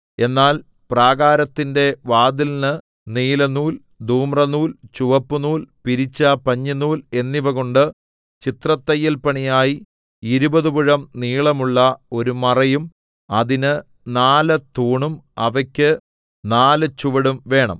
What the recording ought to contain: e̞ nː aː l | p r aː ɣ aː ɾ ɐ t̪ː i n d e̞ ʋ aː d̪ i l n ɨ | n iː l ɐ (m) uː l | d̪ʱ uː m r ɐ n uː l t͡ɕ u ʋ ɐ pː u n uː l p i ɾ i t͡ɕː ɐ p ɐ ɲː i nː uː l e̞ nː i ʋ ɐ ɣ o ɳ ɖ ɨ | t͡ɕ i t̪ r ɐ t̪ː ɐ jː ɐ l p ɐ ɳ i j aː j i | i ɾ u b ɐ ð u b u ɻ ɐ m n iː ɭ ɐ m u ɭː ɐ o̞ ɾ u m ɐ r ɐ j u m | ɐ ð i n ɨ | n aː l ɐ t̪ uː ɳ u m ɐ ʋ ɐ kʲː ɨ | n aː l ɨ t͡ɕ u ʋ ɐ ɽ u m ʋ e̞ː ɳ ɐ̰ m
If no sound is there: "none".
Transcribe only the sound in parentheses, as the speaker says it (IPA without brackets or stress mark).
n